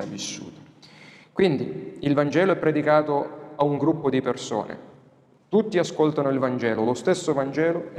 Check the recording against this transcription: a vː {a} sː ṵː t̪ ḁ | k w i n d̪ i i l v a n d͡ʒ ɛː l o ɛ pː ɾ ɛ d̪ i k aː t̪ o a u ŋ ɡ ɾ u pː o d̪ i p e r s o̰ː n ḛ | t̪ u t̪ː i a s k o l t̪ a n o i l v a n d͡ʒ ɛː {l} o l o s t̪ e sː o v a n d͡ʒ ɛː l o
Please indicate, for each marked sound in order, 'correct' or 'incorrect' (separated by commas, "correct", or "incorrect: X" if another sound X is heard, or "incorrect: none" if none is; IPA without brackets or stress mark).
incorrect: i, correct